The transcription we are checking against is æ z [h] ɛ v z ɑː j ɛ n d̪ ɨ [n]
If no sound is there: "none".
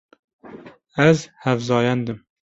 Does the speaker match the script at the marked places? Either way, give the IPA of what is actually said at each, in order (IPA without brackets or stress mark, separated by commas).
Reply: h, m